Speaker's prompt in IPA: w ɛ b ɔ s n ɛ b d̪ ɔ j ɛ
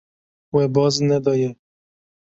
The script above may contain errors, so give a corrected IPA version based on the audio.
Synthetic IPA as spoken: w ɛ b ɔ z n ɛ d̪ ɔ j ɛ